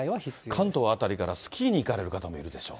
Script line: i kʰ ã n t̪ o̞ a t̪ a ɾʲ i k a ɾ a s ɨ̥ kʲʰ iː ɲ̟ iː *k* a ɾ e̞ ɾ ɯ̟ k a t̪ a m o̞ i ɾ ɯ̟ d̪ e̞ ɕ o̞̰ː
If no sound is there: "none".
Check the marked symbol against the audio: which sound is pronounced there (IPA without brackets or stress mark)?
k